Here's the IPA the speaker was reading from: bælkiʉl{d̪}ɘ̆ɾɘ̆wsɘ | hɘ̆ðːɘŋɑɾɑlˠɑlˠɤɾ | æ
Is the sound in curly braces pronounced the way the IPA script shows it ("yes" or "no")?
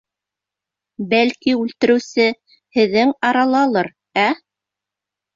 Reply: no